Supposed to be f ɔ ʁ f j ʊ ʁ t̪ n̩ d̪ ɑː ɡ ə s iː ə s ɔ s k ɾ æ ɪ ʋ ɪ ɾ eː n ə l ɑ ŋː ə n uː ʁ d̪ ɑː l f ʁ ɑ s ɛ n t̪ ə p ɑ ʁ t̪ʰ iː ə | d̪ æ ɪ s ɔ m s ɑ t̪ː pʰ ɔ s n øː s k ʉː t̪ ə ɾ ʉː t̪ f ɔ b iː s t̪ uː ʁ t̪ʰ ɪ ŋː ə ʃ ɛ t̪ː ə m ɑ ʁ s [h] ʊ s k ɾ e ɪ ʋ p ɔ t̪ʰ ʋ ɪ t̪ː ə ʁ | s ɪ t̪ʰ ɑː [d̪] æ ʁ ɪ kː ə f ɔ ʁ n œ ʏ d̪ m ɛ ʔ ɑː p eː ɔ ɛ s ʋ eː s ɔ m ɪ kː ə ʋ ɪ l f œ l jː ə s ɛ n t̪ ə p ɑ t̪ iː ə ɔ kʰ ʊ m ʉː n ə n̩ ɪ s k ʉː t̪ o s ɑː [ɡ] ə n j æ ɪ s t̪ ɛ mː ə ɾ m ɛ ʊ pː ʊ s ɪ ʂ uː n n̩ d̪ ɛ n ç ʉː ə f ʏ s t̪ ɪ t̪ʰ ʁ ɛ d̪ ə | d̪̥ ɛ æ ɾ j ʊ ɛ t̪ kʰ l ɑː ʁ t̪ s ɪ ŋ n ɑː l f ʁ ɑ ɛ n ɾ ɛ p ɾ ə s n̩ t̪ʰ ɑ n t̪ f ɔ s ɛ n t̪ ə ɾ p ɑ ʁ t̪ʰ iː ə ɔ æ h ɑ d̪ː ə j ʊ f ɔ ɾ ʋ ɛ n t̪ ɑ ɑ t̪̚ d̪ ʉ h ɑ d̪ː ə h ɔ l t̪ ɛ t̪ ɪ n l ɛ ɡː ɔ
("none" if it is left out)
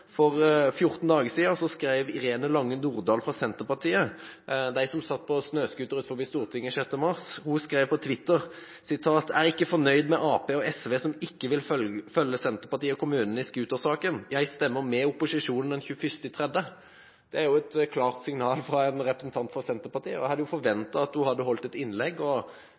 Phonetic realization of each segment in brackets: h, t̪, k

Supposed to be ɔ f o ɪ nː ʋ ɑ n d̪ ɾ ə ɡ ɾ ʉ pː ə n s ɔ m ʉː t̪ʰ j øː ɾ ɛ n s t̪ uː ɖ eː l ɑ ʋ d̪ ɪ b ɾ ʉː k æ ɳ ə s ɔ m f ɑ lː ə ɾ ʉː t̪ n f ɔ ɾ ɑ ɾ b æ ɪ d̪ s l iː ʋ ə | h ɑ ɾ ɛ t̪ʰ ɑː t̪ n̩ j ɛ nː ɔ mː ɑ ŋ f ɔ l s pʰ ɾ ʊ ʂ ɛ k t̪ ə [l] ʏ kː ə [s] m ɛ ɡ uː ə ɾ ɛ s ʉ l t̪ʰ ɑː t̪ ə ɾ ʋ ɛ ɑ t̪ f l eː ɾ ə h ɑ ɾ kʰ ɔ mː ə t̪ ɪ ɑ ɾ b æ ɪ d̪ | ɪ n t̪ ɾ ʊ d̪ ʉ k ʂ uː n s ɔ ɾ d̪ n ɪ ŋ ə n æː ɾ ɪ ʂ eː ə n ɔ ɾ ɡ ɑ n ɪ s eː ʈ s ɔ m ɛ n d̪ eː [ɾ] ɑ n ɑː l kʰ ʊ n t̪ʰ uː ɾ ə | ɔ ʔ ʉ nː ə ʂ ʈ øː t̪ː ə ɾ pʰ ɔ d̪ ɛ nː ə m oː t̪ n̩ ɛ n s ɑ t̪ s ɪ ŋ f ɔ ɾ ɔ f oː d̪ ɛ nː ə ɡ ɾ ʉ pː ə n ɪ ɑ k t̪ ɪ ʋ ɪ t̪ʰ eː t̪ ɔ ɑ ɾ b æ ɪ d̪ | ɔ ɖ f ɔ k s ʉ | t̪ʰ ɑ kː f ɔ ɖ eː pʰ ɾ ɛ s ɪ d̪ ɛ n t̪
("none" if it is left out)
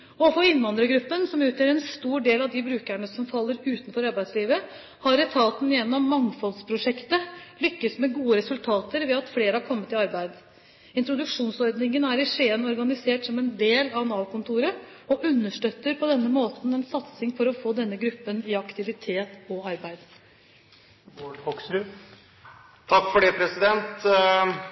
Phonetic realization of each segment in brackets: l, s, l

